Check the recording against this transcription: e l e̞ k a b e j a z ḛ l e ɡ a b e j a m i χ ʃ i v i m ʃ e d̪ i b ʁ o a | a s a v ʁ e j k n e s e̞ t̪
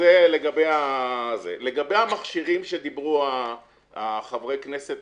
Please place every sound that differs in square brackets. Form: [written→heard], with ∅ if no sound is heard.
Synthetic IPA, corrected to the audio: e l e̞ [k→ɡ] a b e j a z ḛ l e ɡ a b e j a m [i→a] χ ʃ i [v→ʁ] i m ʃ e d̪ i b ʁ [o→u] a | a [s→χ] a v ʁ e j k n e s e̞ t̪